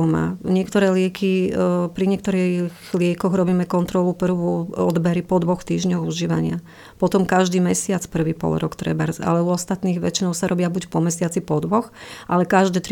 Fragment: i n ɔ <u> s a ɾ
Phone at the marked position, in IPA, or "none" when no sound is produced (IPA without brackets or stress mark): ʊ